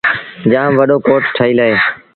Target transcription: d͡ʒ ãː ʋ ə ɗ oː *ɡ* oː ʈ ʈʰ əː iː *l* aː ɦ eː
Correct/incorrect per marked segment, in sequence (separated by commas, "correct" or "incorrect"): incorrect, correct